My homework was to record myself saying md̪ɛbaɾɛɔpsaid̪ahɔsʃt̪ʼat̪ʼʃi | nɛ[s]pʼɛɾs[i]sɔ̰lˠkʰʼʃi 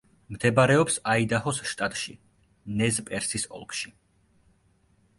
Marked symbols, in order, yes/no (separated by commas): no, yes